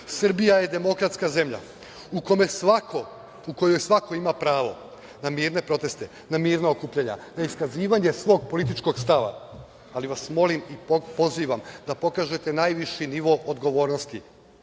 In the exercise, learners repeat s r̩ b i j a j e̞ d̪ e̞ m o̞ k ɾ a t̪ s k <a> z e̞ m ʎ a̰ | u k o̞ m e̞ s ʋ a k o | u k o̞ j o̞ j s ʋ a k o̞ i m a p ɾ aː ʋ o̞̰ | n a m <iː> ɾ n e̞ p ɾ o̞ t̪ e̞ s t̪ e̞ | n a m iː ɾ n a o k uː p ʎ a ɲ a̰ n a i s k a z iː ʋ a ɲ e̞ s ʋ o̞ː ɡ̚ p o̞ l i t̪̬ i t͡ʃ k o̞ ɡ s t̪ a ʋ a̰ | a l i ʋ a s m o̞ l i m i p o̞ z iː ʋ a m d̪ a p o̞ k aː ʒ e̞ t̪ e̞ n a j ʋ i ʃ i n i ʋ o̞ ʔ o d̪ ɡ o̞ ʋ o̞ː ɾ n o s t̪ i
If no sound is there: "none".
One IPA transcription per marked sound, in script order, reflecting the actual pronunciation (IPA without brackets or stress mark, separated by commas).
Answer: a, iː